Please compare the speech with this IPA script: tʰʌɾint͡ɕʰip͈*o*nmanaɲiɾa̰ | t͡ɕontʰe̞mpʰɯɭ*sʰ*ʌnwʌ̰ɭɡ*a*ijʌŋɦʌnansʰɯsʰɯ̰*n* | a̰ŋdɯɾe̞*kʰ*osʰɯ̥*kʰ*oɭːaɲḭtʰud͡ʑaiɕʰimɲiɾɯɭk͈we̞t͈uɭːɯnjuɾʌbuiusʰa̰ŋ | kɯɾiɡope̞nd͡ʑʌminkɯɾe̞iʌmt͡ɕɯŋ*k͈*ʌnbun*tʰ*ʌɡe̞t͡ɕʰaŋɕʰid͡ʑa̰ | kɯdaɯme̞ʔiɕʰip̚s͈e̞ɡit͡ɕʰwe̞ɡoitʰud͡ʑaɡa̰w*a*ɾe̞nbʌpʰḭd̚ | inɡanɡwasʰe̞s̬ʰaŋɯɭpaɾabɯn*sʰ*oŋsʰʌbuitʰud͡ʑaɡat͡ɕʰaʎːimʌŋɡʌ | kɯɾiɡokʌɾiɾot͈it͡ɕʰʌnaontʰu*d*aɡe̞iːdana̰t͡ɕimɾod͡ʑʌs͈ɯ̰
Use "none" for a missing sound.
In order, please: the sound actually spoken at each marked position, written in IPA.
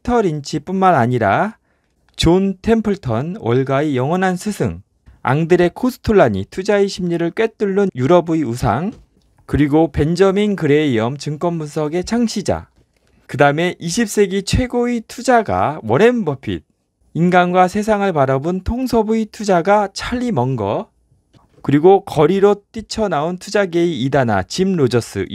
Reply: u, tʰ, a, ŋ, kʰ, tʰ, k͈, sʰ, ʌ, tʰ, d͡ʑ

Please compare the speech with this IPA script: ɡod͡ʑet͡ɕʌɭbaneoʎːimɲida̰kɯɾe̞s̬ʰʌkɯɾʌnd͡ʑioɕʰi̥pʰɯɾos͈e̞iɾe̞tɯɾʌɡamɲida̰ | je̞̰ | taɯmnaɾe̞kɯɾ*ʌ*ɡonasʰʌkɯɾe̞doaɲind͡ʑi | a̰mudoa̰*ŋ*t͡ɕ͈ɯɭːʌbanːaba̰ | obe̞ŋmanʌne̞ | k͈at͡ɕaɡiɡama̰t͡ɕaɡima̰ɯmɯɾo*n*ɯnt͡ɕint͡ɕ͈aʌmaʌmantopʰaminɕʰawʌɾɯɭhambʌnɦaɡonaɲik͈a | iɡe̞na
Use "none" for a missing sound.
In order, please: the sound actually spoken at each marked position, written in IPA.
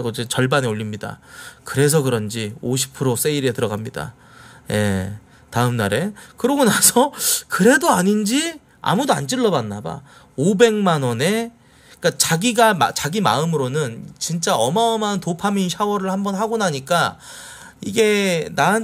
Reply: ʌ, n, n

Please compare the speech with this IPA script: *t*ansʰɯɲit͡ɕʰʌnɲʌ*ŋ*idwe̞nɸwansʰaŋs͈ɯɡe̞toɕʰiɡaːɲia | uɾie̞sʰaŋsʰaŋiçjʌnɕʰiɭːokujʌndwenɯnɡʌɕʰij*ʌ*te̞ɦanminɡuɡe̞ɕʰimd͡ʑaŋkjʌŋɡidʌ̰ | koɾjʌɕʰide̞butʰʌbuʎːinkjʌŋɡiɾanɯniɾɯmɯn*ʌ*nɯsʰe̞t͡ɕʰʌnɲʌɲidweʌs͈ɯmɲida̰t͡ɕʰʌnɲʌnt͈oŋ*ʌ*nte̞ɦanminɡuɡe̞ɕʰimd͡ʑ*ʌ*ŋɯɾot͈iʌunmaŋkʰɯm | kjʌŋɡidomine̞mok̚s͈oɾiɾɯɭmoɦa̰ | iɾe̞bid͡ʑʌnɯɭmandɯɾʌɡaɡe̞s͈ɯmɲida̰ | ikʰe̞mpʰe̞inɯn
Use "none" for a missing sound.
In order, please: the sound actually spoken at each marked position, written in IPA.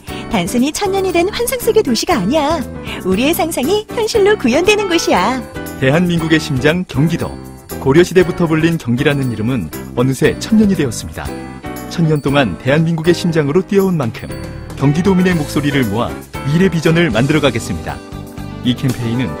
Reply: t, ɲ, a, ʌ, a, a

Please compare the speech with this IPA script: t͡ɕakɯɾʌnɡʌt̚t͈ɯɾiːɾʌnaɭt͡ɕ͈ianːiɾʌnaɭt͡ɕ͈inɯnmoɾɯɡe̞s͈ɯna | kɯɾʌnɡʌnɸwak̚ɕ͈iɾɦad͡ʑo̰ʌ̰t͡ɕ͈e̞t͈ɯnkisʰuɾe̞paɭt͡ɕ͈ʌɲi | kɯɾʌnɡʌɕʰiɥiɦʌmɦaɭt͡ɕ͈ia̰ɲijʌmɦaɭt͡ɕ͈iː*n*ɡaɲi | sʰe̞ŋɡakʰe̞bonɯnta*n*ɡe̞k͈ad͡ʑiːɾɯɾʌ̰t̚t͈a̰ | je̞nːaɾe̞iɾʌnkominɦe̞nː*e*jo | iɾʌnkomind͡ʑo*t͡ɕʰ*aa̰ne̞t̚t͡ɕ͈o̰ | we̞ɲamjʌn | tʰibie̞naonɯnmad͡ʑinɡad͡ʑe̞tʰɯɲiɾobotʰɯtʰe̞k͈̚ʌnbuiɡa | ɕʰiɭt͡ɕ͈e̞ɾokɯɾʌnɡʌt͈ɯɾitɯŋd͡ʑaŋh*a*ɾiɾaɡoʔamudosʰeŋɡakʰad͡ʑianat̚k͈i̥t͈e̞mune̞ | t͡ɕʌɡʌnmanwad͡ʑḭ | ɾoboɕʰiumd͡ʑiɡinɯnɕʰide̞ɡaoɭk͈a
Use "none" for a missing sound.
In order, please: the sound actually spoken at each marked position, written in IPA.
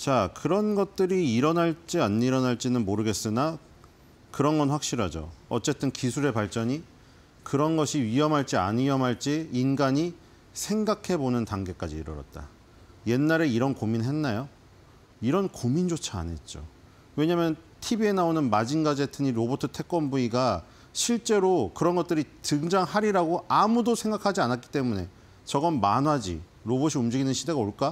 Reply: n, ŋ, a, t͡ɕʰ, a

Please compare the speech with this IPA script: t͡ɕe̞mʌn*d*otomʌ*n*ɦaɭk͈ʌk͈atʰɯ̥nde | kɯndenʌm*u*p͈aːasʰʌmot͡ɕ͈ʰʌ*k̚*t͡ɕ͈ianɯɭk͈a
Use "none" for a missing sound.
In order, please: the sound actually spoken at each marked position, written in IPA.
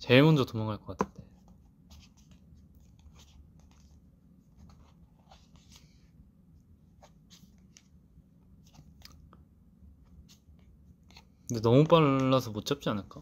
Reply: d͡ʑ, ŋ, u, p̚

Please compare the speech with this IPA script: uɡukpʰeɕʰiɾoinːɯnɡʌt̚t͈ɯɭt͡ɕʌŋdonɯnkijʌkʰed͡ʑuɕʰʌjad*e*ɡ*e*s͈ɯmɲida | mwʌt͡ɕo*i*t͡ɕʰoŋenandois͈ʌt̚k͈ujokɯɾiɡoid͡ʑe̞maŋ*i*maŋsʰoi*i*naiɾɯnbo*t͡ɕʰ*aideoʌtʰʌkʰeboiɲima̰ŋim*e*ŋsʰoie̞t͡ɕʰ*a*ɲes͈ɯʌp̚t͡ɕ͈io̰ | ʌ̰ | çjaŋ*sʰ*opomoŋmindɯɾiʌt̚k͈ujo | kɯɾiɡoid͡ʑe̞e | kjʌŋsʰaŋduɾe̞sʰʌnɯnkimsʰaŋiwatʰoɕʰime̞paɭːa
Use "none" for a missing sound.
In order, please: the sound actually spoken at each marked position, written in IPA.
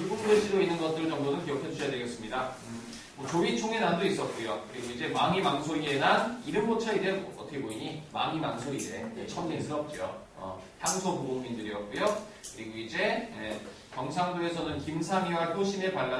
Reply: e, e, i, i, e, t͡ɕʰ, a, ʌ, sʰ

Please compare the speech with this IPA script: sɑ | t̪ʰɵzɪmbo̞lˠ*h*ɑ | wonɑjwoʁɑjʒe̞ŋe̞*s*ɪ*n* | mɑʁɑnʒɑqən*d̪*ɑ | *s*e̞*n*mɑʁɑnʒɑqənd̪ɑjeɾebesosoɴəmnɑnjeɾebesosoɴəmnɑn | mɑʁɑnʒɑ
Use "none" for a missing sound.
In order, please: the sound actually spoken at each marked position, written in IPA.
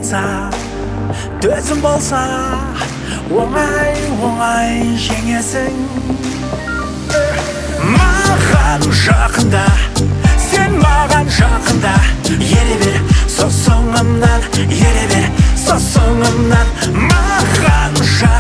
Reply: s, s, ŋ, d̪, s, n

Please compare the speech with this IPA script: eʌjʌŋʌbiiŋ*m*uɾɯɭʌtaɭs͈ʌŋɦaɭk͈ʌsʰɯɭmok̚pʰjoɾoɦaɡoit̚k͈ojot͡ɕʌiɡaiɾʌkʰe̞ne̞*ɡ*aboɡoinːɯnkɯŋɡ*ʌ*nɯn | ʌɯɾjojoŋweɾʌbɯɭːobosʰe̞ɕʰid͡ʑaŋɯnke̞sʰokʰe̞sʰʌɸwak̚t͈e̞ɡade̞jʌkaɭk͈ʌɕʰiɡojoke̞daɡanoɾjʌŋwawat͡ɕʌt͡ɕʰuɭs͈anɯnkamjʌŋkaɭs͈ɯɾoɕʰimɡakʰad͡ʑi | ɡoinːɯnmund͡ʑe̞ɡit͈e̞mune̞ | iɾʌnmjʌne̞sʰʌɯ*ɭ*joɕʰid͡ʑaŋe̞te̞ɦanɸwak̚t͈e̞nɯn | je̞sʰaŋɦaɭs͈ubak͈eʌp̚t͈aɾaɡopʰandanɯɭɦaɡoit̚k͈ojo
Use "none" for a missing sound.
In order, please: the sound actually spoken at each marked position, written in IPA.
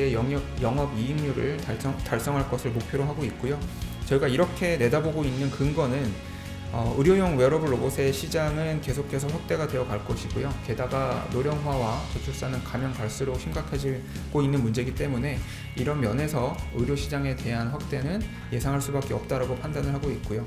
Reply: ɲ, d, ʌ, ɾ

